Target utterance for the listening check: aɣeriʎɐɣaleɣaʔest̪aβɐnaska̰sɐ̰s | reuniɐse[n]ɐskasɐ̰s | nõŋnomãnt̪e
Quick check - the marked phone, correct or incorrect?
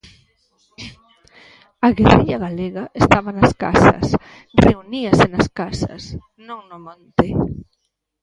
correct